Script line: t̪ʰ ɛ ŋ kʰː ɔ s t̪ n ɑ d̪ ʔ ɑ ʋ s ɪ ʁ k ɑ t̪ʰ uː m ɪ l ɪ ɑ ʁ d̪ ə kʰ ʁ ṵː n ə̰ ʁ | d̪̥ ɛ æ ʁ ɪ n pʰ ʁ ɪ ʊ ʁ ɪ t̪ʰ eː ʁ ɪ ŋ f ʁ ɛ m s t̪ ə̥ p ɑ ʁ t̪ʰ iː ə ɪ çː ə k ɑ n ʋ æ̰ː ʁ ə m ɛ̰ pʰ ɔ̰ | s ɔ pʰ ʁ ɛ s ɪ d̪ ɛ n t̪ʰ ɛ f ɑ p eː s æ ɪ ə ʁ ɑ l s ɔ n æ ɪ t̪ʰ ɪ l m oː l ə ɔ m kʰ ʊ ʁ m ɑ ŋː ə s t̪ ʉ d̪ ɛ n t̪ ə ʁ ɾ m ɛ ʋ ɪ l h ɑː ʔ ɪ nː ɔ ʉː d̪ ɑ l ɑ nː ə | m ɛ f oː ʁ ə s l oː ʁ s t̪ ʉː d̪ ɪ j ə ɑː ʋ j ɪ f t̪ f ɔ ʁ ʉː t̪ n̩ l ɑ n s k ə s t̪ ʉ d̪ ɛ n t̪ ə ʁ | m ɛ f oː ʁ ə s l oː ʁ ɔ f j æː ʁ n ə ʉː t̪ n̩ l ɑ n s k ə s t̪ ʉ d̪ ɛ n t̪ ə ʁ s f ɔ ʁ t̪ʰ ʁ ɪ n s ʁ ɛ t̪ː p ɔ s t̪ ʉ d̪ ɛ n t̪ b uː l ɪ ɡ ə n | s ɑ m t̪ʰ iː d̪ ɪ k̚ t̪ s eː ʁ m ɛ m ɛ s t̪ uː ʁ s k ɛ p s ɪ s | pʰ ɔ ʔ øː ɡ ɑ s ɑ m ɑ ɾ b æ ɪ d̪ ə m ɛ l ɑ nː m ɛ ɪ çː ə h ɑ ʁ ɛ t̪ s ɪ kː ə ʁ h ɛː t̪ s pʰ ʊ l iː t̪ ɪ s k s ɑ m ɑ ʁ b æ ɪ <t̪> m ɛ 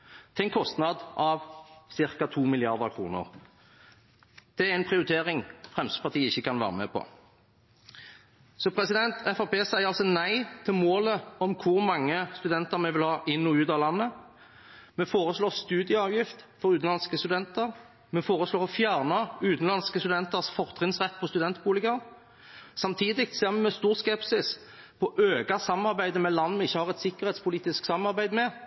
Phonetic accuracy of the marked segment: incorrect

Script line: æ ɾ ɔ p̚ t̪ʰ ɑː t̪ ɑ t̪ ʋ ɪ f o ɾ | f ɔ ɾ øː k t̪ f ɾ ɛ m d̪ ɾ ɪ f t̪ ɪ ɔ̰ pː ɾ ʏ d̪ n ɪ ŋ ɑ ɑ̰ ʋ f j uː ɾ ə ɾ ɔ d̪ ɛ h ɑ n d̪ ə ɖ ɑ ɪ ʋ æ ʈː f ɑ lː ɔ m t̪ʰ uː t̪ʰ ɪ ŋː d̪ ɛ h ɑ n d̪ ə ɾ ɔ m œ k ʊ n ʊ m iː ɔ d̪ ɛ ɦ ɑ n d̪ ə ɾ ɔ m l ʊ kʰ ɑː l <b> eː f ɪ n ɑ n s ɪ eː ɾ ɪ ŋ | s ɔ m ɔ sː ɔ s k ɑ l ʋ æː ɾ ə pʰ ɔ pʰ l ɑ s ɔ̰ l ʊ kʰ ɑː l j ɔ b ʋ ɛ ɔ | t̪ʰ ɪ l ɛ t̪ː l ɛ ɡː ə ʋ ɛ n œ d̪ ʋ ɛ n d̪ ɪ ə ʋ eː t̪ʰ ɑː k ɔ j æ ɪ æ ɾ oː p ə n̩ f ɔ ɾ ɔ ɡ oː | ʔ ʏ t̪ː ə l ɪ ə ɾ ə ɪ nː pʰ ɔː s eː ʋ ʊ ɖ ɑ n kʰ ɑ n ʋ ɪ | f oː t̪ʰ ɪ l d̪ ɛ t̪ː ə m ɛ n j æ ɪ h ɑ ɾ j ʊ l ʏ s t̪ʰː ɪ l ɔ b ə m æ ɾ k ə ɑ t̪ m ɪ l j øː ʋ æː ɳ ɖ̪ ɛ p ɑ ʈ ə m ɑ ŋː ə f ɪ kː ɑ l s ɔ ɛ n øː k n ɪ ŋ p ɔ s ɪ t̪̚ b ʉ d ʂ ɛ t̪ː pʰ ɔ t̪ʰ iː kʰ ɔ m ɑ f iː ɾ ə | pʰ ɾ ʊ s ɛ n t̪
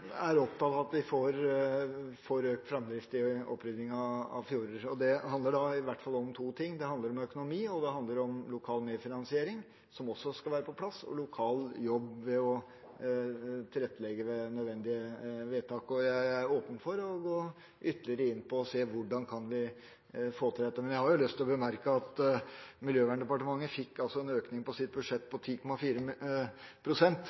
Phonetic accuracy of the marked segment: incorrect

